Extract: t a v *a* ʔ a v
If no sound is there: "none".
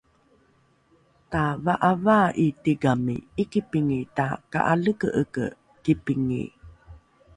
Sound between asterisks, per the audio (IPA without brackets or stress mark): a